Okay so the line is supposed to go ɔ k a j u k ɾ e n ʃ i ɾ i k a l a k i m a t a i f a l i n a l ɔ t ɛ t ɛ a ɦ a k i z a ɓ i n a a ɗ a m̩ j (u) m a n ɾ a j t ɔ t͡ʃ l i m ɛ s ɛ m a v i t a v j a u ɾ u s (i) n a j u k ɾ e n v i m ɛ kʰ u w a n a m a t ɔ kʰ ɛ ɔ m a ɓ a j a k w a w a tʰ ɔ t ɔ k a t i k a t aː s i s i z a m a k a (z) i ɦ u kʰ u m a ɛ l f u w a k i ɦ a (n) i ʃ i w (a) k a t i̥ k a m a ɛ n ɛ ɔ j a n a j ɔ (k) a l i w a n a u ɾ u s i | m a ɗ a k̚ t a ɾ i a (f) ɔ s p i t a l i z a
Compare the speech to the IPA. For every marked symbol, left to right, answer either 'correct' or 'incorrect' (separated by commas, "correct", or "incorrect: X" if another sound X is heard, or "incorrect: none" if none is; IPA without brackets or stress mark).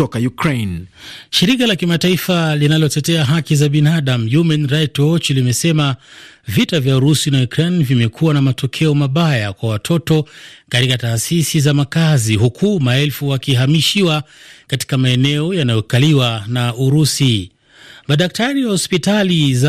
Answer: correct, correct, correct, incorrect: m, correct, correct, incorrect: h